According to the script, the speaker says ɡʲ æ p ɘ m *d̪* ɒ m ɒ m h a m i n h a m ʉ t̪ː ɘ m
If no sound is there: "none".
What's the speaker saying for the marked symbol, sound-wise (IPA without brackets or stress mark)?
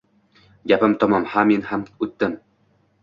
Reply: t̪